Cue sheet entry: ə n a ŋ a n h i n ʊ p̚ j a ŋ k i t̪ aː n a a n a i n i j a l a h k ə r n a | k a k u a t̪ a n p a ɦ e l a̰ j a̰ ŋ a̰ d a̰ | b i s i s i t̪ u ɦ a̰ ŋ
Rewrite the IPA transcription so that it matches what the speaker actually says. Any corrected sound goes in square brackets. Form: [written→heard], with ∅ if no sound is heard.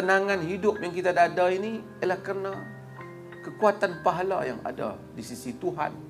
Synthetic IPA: ə n a ŋ a n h i [n→d] ʊ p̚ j a ŋ k i t̪ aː [n→d] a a [n→d] a i n i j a l a h k ə r n a | k [a→ə] k u a t̪ a n p a ɦ [e→a] l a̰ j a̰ ŋ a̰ d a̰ | [b→d] i s i s i t̪ u ɦ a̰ [ŋ→n]